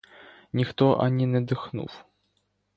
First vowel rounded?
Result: no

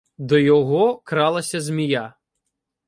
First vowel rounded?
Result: yes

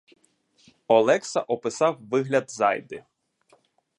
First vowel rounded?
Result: yes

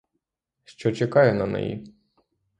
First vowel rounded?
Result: yes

